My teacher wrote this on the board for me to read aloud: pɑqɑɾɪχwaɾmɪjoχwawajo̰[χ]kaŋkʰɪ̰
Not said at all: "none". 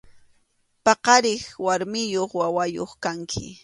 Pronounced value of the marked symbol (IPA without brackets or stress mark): χ